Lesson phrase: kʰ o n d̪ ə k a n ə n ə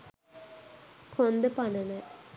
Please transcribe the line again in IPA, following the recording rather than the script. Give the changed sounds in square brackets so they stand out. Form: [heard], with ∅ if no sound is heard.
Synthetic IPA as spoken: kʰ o n d̪ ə [p] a n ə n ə